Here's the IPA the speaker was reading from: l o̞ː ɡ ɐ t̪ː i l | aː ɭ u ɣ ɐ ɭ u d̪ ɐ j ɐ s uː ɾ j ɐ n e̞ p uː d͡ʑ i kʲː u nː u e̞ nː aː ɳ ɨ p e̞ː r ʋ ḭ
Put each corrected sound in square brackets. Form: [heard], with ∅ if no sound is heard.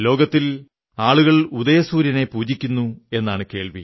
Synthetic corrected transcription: l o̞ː ɡ ɐ t̪ː i l | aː ɭ u ɣ ɐ ɭ u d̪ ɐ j ɐ s uː ɾ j ɐ n e̞ p uː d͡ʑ i kʲː u nː u e̞ nː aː ɳ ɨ [k] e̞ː [ɭ] ʋ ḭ